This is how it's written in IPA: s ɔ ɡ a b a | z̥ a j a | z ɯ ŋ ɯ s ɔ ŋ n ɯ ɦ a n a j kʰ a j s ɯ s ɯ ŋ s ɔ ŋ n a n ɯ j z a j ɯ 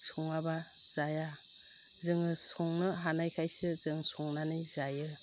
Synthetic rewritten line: s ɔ ŋ a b a | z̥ a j a | z ɯ ŋ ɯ s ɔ ŋ n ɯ ɦ a n a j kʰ a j s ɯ z ɯ ŋ s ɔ ŋ n a n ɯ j z a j ɯ